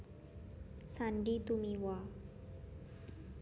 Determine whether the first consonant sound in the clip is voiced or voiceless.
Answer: voiceless